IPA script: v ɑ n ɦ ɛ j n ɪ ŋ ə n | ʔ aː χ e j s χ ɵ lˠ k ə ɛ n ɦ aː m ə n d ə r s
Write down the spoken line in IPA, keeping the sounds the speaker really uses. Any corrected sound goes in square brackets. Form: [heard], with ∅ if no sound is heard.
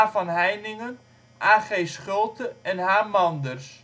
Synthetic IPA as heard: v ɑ n ɦ ɛ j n ɪ ŋ ə n | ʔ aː χ e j s χ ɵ lˠ [t] ə ɛ n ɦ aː m [ɑ] n d ə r s